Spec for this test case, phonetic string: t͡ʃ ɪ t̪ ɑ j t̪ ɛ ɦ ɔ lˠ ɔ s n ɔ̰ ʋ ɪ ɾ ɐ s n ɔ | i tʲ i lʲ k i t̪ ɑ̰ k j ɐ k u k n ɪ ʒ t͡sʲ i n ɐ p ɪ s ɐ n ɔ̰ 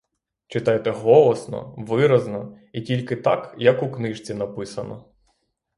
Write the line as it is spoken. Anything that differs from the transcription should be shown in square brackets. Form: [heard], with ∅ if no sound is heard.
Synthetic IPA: t͡ʃ ɪ t̪ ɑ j t̪ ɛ ɦ ɔ lˠ ɔ s n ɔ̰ ʋ ɪ ɾ ɐ [z] n ɔ | i tʲ i lʲ k [ɪ] t̪ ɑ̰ k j ɐ k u k n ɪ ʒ t͡sʲ i n ɐ p ɪ s ɐ n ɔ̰